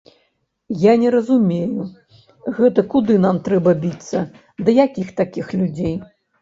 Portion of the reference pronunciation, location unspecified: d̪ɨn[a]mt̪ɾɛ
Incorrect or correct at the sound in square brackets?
correct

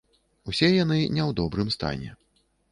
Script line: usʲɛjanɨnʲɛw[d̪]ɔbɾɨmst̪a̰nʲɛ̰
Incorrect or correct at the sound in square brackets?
correct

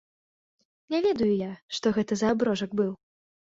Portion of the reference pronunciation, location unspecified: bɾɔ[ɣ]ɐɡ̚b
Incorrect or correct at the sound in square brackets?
incorrect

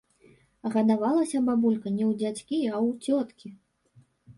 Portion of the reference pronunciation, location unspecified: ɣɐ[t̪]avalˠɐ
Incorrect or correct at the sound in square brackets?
incorrect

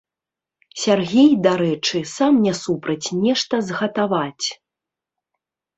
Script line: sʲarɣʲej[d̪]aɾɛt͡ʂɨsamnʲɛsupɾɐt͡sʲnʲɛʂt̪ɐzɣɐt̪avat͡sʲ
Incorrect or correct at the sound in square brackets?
correct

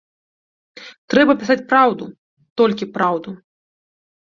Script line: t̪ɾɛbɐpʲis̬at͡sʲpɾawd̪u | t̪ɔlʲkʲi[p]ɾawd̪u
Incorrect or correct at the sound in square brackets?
correct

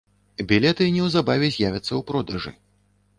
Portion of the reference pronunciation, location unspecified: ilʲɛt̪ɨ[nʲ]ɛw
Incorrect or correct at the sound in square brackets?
correct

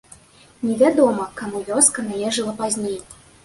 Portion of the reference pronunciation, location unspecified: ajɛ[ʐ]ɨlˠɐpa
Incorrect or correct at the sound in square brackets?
correct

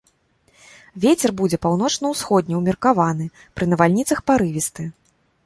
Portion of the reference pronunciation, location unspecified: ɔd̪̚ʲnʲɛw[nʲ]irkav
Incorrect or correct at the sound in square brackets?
incorrect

